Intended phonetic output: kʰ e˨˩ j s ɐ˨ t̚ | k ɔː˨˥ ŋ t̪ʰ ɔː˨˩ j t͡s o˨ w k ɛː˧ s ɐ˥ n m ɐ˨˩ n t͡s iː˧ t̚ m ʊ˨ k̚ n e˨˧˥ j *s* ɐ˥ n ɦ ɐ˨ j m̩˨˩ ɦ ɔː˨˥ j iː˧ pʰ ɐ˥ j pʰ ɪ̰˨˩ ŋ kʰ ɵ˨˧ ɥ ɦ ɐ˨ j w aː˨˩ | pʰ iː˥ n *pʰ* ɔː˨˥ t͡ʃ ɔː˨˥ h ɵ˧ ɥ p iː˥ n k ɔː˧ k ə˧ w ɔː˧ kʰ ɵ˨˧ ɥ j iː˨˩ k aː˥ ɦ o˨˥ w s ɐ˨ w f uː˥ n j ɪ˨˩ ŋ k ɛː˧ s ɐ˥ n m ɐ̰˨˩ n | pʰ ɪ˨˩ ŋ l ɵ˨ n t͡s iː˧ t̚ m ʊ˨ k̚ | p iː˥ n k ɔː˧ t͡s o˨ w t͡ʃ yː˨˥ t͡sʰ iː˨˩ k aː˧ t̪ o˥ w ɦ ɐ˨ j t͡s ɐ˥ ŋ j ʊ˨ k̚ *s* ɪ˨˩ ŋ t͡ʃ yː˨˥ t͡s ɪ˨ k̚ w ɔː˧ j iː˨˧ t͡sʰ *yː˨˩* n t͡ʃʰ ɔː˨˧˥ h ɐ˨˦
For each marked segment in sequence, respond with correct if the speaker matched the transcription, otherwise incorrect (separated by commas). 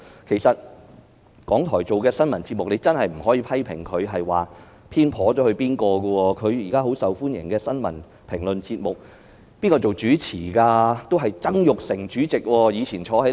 incorrect, correct, correct, incorrect